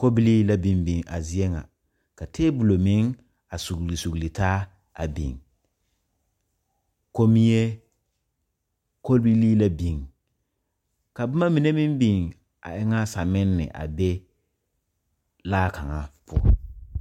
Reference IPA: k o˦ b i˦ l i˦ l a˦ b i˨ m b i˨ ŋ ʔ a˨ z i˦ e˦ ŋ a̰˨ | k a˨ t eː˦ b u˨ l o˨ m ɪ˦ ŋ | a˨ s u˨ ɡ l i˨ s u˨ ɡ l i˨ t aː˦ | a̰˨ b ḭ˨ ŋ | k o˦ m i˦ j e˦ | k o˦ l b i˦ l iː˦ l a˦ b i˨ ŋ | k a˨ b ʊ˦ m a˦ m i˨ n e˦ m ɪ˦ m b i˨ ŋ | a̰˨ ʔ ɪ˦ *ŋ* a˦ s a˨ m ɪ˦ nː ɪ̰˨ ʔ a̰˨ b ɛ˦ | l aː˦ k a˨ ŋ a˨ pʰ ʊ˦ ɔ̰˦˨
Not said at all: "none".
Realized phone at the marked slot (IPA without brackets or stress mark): ŋ